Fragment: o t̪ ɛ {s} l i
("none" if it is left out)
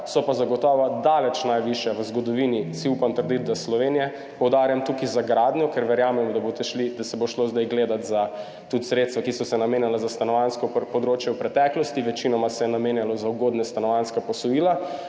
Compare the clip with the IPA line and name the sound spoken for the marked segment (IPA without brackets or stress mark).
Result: ʃ